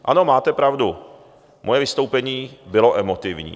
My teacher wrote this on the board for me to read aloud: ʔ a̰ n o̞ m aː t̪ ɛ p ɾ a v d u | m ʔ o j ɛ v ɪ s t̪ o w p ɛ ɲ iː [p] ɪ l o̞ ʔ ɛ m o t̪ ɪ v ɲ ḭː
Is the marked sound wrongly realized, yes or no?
yes